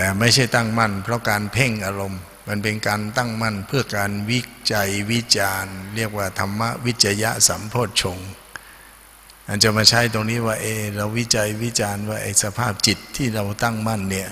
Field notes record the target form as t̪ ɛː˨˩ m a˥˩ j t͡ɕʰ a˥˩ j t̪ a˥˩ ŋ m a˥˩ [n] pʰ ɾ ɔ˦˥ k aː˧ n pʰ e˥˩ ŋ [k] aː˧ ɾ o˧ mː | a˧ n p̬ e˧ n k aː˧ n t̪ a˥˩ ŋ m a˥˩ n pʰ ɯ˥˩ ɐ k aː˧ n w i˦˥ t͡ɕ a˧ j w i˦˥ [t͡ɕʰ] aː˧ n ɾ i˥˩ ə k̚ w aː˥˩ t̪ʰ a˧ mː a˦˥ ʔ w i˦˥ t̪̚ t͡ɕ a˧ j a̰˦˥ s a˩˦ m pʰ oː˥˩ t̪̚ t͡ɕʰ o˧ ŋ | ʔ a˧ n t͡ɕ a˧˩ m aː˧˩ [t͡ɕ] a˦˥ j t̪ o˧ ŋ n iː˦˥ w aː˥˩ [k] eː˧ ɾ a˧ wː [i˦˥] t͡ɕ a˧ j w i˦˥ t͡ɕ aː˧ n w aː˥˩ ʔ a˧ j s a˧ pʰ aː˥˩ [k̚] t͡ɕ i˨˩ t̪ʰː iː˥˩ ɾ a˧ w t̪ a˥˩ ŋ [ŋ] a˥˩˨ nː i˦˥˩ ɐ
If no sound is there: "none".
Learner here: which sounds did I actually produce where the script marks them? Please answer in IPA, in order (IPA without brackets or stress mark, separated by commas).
n, ʔ, t͡ɕ, t͡ɕʰ, ʔ, i˦˥, p̚, m